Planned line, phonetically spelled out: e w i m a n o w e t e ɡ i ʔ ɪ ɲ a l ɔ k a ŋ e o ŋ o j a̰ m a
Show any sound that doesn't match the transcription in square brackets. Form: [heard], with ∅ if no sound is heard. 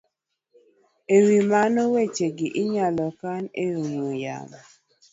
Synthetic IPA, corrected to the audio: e w i m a n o w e [t͡ʃ] e ɡ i ʔ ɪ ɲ a l ɔ k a [n] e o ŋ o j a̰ m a